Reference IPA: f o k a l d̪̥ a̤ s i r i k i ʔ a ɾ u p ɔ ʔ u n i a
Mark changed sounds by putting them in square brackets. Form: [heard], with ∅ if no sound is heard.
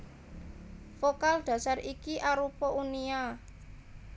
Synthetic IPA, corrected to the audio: f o k a l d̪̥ a̤ s [a] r i k i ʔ a ɾ u p ɔ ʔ u n i a